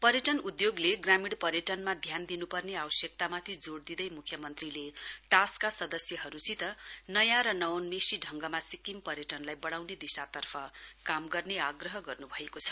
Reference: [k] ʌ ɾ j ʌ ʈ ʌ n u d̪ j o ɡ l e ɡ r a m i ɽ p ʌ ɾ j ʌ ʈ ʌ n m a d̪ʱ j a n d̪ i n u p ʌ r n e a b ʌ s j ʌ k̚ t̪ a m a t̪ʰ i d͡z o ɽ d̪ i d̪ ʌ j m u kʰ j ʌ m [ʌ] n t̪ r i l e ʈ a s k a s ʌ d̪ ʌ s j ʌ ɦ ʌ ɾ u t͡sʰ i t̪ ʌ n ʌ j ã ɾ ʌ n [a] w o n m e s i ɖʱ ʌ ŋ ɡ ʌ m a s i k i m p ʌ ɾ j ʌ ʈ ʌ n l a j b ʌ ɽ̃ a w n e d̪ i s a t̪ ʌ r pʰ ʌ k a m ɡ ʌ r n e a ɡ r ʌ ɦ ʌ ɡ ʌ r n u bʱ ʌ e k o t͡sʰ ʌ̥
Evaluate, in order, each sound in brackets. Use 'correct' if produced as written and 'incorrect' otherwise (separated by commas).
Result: incorrect, correct, incorrect